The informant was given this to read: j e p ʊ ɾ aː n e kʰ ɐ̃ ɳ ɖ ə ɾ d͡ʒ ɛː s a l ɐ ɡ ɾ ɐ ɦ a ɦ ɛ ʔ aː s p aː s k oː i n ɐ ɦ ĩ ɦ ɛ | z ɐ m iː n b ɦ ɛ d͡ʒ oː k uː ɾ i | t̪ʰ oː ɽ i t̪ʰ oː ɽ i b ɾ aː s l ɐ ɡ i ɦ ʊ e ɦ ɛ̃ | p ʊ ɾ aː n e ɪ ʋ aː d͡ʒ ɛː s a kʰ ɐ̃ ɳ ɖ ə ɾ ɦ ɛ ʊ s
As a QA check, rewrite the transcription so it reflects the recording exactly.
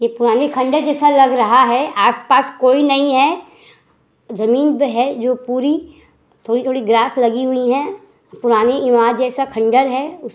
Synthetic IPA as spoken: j e p ʊ ɾ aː n e kʰ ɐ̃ ɳ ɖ ə ɾ d͡ʒ ɛː s a l ɐ ɡ ɾ ɐ ɦ a ɦ ɛ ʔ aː s p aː s k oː i n ɐ ɦ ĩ ɦ ɛ | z ɐ m iː n b ɦ ɛ d͡ʒ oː p uː ɾ i | t̪ʰ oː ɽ i t̪ʰ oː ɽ i ɡ ɾ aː s l ɐ ɡ i ɦ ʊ i ɦ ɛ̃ | p ʊ ɾ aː n e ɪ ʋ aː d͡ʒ ɛː s a kʰ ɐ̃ ɳ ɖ ə ɾ ɦ ɛ ʊ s